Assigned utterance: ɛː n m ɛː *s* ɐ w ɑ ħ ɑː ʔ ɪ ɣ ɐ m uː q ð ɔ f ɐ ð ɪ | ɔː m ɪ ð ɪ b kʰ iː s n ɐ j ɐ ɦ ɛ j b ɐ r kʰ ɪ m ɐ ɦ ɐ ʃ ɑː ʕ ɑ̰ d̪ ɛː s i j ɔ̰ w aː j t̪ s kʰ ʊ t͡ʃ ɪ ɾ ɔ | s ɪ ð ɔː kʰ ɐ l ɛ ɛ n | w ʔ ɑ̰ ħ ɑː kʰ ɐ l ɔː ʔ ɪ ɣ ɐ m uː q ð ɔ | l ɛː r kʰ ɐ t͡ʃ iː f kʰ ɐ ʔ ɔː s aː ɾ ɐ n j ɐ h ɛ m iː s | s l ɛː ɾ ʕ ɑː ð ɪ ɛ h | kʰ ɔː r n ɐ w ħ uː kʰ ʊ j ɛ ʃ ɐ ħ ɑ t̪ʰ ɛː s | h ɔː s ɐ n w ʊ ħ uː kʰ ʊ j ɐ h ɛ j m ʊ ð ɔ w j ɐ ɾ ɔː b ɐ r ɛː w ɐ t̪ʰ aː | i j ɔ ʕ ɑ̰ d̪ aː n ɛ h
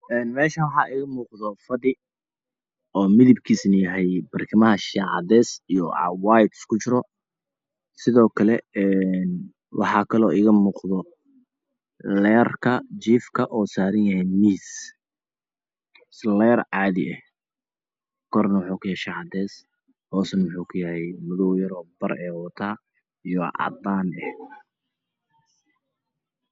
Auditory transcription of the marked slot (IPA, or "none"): ʃ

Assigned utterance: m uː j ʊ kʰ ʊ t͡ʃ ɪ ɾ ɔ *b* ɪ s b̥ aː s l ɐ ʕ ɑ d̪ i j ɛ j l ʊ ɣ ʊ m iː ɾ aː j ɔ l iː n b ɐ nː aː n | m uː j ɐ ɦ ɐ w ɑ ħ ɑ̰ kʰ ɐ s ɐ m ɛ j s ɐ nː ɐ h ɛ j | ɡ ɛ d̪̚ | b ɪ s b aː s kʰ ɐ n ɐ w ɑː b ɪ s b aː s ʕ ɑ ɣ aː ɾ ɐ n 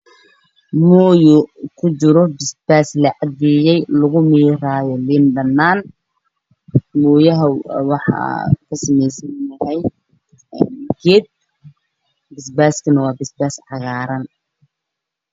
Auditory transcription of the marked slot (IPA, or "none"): b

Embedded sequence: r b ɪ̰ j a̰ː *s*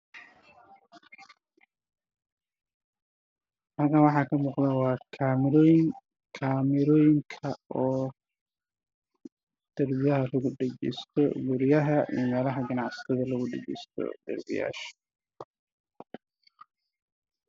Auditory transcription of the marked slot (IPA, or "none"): ʃ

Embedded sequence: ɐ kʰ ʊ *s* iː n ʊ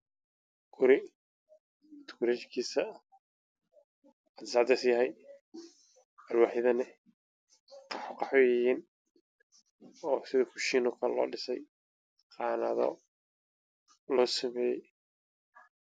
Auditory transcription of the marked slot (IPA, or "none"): ʃ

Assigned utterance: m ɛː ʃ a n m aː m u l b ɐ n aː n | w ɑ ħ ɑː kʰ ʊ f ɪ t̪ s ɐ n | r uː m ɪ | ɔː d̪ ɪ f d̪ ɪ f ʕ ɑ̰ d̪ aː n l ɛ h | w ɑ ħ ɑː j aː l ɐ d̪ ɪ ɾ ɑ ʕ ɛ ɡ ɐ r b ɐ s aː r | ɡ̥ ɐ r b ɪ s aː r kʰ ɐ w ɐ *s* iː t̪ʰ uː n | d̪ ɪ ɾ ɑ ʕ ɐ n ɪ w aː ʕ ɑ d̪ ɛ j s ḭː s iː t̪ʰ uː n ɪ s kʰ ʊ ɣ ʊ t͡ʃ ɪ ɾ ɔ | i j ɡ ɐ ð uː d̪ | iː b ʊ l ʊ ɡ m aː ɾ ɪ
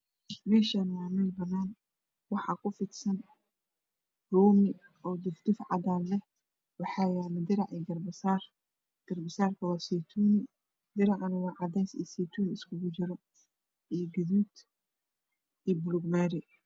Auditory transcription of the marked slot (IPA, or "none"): s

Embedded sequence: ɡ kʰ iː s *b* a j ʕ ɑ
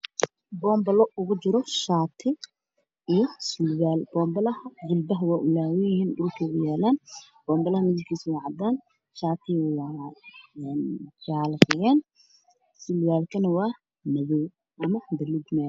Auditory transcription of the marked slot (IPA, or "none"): w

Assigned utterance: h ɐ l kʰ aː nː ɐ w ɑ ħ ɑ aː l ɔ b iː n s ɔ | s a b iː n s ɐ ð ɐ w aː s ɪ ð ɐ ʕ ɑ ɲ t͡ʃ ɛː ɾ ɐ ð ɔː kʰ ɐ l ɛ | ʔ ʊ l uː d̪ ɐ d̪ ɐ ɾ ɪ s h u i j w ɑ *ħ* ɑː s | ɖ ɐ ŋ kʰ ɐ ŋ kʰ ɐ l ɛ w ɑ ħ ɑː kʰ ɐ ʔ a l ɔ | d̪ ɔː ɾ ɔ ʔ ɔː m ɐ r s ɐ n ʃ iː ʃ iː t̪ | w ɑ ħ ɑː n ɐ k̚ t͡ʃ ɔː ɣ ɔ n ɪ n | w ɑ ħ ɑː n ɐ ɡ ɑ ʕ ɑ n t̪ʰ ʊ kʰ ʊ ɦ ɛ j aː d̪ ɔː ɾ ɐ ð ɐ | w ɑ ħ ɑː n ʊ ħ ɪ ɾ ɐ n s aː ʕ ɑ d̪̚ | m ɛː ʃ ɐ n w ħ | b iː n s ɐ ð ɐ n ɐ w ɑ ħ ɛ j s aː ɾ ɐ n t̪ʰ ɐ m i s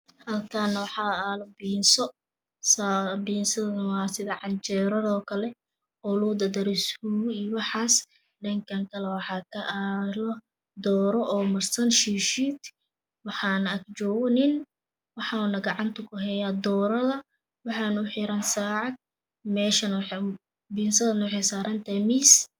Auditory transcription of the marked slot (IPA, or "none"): ħ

